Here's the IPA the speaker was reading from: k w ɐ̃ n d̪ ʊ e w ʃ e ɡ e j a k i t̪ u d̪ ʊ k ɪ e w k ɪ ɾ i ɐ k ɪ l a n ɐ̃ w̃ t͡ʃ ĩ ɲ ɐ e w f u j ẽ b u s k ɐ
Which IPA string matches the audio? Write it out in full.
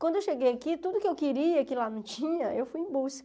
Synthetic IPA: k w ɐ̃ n d̪ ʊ e w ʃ e ɡ e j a k i t̪ u d̪ ʊ k ɪ e w k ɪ ɾ i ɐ k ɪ l a n ɐ̃ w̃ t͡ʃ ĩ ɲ ɐ e w f u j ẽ b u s k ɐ